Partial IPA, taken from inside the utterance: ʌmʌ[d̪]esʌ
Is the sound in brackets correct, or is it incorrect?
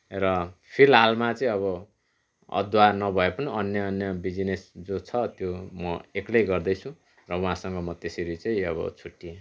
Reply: incorrect